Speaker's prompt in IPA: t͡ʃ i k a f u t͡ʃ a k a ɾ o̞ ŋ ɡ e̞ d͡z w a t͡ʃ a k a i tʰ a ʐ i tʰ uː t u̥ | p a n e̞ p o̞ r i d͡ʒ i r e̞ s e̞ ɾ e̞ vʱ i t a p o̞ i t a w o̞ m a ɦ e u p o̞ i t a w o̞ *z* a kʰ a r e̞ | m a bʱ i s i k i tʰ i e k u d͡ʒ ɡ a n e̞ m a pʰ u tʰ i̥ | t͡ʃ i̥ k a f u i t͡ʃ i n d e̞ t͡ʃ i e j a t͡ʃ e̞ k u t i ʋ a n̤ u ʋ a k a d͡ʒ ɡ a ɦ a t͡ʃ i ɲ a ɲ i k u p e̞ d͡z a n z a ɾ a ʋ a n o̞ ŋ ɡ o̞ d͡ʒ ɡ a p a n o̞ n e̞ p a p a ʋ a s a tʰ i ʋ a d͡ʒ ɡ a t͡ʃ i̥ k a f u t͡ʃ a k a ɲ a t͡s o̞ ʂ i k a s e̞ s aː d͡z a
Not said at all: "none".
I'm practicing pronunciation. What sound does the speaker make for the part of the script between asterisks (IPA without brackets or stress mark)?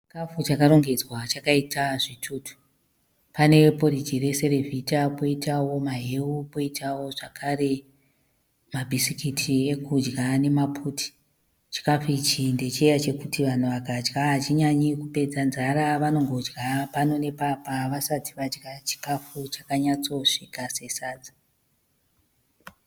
ʐ